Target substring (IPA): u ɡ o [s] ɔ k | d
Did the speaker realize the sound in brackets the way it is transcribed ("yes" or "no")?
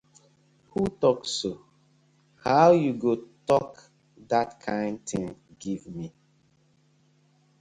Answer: no